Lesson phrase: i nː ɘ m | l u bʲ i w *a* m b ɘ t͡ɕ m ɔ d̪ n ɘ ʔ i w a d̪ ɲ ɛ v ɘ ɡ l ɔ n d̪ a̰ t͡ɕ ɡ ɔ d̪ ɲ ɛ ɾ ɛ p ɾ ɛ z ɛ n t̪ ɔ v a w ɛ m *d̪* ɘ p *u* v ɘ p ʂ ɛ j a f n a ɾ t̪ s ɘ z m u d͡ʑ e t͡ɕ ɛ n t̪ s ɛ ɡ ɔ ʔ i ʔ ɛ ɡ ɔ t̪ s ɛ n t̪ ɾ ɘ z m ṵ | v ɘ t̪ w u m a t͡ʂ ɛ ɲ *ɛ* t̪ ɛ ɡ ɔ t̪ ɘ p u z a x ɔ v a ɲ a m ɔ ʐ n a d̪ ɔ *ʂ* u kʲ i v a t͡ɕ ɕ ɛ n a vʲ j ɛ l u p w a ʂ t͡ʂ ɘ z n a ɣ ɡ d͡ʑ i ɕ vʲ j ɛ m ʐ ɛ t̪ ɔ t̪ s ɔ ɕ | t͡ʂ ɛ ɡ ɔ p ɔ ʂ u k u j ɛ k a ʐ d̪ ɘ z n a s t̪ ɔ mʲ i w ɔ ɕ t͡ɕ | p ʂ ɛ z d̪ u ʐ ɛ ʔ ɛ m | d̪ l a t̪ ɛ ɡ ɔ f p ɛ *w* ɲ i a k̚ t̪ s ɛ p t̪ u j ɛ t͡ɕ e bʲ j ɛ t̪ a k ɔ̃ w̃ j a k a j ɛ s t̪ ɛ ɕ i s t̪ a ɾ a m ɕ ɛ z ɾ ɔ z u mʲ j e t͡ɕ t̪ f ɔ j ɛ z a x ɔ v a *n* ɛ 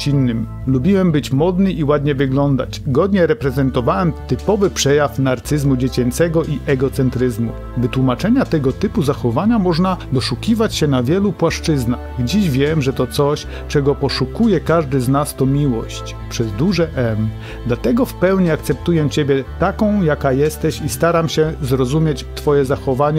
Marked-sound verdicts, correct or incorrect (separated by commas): incorrect, incorrect, incorrect, incorrect, correct, correct, incorrect